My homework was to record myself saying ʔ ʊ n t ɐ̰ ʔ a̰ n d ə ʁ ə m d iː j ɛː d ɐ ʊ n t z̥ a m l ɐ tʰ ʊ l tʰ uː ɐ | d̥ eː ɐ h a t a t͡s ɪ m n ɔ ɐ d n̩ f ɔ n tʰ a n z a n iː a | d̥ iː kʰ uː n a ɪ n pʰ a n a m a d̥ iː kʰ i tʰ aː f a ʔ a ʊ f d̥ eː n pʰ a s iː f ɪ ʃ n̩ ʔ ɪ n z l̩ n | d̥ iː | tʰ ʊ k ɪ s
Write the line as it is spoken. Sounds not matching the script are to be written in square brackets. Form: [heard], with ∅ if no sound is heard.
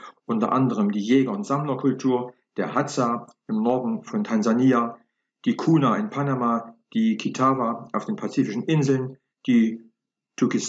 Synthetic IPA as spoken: ʔ ʊ n t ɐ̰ ʔ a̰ n d ə ʁ ə m d iː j ɛː [ɡ] ɐ ʊ n t z̥ a m l ɐ [kʰ] ʊ l tʰ uː ɐ | d̥ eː ɐ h a [t͡s] a [∅] ɪ m n ɔ ɐ d n̩ f ɔ n tʰ a n z a n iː a | d̥ iː kʰ uː n a ɪ n pʰ a n a m a d̥ iː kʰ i tʰ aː [v] a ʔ a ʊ f d̥ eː n pʰ a [t͡s] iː f ɪ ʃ n̩ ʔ ɪ n z l̩ n | d̥ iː | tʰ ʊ k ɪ s